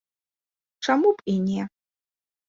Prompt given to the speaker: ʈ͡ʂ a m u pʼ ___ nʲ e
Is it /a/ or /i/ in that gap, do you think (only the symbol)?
i